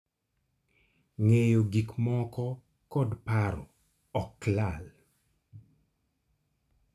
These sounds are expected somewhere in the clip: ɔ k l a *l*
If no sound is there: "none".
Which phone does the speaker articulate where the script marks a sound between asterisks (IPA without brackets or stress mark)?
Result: l